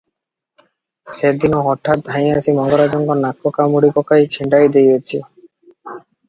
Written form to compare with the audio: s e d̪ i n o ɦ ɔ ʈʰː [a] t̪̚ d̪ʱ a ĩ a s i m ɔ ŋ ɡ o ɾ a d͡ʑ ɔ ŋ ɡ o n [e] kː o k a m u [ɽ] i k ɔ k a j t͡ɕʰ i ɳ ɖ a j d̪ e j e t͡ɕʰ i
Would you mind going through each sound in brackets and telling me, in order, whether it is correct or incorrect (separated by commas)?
correct, incorrect, correct